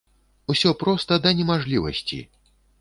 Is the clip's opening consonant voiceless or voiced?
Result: voiceless